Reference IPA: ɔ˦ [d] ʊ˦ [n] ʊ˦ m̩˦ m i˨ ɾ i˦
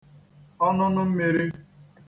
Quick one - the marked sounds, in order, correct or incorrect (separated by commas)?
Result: incorrect, correct